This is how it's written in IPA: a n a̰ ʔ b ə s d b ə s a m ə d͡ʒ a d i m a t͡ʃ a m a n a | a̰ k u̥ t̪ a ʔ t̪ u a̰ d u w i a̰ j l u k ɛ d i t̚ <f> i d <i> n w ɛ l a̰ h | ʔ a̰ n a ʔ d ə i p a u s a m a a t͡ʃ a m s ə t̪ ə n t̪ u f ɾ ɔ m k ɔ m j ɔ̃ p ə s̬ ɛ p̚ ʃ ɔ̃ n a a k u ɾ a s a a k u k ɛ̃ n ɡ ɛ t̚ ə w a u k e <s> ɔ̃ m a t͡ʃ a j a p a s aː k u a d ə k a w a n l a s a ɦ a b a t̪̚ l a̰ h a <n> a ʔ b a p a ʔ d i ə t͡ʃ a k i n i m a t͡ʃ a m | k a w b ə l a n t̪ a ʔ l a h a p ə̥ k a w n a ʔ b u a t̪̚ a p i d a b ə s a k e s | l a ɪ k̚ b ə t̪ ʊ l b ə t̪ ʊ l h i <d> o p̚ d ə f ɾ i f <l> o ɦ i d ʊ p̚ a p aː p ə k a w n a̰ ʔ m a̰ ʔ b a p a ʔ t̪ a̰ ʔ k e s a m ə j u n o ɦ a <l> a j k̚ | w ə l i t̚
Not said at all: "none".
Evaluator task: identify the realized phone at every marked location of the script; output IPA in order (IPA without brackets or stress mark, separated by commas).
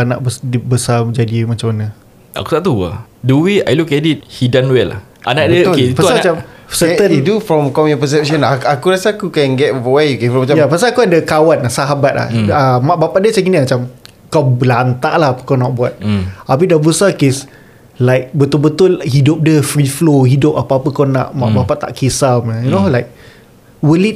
h, a, f, m, d, l, l